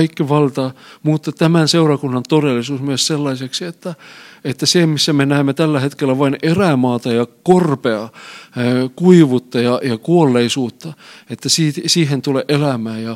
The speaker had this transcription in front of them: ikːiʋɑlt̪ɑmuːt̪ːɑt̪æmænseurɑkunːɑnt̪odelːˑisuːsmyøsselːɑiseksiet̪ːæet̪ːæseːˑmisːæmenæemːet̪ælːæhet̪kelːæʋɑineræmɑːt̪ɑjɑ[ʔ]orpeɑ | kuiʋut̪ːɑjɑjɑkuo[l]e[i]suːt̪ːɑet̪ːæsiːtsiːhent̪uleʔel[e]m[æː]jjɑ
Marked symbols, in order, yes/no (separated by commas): no, no, yes, no, yes